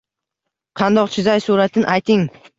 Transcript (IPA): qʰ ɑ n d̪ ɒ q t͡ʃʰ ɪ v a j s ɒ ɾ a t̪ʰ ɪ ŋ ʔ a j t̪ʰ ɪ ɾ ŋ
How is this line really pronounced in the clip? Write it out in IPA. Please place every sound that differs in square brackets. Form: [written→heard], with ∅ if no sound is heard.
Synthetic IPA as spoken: qʰ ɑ n d̪ ɒ q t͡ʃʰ ɪ [v→z] a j s [ɒ→u] ɾ a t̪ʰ ɪ [ŋ→n] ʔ a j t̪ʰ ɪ [ɾ→∅] ŋ